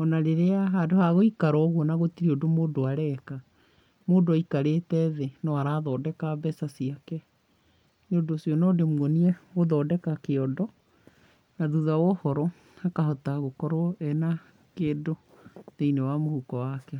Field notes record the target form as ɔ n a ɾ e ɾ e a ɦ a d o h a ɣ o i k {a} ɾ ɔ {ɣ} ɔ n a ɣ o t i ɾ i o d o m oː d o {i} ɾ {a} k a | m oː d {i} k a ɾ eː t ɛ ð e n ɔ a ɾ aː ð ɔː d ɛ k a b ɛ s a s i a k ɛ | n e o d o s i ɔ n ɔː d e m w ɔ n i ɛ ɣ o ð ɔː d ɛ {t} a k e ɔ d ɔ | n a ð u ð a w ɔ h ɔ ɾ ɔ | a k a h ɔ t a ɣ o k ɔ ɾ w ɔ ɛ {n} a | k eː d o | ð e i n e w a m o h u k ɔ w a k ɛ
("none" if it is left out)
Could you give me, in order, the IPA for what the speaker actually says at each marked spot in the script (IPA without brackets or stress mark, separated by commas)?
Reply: a, ɣ, a, ɛ, i, k, n